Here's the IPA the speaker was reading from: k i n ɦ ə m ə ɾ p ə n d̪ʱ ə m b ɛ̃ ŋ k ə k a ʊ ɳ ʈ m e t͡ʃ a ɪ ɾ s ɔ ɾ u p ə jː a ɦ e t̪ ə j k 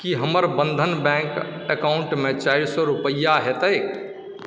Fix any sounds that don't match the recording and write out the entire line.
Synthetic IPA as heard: k i ɦ ə m ə ɾ b ə n d̪ʱ ə n b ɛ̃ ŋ k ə k a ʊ ɳ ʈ m e t͡ʃ a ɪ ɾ s ɔ ɾ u p ə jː a ɦ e t̪ ə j k